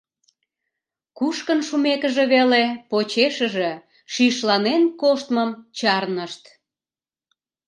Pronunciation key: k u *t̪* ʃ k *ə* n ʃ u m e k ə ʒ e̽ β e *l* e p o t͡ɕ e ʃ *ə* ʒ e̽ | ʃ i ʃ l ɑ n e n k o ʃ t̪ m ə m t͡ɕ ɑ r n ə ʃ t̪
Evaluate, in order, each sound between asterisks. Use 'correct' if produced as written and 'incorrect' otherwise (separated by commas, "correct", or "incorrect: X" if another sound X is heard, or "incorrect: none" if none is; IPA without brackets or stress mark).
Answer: incorrect: none, correct, correct, correct